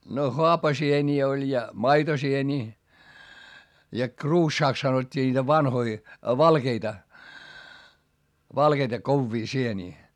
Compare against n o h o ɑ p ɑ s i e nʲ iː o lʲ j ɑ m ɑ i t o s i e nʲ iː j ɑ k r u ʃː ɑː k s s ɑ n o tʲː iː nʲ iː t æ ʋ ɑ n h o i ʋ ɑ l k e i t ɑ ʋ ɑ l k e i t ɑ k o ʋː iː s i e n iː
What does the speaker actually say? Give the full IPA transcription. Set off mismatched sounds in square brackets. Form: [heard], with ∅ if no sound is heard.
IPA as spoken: n o h o ɑ p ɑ s i e nʲ iː o lʲ j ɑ m ɑ i t o s i e nʲ iː j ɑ k r [uː] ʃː ɑː k s s ɑ n o tʲː iː nʲ iː t æ ʋ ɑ n h o i ʋ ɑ l k e i t ɑ ʋ ɑ l k e i t ɑ k o ʋː iː s i e n iː